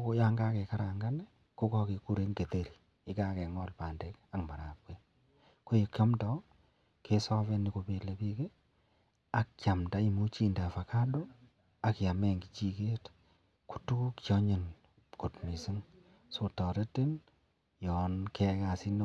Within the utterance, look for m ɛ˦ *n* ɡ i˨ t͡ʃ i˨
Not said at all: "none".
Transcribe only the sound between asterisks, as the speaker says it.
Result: ŋ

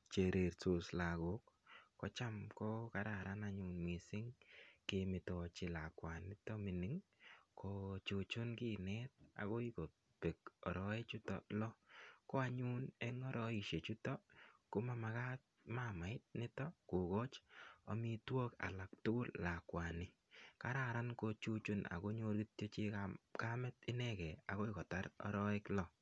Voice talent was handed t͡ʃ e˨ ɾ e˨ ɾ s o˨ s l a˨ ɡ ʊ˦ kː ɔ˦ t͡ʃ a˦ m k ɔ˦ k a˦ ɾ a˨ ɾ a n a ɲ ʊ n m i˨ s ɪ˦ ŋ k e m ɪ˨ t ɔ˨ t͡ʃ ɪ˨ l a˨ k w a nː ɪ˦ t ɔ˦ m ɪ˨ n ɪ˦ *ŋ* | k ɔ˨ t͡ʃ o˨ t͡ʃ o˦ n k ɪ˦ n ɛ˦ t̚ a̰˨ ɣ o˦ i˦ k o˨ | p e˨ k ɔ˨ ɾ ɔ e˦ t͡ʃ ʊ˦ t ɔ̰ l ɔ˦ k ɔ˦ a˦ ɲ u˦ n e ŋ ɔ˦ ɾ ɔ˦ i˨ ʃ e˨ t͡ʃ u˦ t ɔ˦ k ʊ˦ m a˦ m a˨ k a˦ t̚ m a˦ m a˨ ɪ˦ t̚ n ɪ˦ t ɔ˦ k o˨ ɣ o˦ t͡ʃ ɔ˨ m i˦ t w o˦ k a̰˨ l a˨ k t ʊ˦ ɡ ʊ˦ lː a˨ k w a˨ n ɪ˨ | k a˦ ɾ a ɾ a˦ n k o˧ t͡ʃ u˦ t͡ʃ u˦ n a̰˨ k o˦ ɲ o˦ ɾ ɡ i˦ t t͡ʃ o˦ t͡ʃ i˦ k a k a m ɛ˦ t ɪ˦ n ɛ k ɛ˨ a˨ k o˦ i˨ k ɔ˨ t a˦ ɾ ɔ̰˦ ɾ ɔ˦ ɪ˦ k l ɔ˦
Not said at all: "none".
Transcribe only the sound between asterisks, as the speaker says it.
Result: ŋ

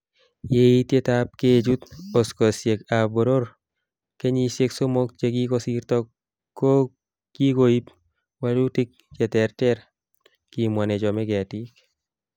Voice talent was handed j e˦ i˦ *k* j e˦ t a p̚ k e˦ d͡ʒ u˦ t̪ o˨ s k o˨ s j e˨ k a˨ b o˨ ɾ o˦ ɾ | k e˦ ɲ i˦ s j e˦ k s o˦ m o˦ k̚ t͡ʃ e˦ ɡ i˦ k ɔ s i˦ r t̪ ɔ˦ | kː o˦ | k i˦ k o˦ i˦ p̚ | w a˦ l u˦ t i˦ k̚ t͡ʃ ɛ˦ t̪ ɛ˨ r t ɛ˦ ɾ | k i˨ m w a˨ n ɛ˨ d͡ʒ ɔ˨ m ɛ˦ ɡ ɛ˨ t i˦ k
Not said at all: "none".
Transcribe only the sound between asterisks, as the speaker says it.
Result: t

